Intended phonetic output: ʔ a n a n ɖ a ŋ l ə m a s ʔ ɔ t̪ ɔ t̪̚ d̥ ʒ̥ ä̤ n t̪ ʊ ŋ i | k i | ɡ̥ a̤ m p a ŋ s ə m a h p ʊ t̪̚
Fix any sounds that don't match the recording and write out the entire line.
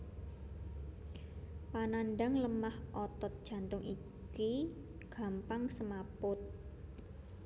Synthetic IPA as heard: p a n a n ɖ a ŋ l ə m a h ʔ ɔ t̪ ɔ t̪̚ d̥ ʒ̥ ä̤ n t̪ ʊ ŋ i | k i | ɡ̥ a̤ m p a ŋ s ə m a p ʊ t̪̚